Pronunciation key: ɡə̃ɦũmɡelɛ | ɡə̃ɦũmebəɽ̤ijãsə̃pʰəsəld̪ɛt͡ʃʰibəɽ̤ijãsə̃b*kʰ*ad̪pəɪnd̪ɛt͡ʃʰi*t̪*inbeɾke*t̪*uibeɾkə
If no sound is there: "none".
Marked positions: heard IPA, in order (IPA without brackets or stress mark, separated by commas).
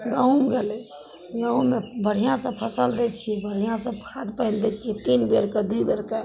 kʰ, t̪, d̪